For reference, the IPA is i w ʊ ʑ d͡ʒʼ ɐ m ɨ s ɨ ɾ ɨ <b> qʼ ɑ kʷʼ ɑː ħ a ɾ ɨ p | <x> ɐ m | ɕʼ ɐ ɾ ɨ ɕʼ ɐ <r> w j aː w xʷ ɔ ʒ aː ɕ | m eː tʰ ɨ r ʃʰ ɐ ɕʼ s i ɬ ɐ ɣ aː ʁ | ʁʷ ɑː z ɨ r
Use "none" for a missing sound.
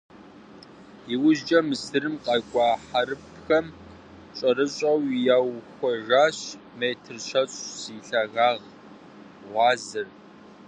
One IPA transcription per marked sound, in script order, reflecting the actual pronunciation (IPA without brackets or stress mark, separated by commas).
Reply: m, x, none